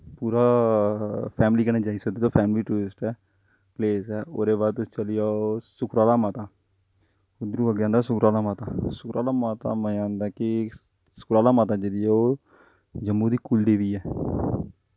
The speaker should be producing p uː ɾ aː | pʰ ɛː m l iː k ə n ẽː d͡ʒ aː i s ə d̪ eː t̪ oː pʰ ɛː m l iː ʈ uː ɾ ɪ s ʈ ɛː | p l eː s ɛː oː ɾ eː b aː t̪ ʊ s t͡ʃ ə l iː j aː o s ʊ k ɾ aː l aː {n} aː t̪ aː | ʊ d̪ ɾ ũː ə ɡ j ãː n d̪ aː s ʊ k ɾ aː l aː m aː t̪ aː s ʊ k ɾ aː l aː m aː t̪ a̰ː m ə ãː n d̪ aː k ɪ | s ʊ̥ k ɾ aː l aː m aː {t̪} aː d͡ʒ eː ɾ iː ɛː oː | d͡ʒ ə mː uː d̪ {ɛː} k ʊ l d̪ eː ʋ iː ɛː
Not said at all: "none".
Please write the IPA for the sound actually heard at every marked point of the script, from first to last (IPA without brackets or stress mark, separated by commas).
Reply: m, t̪, iː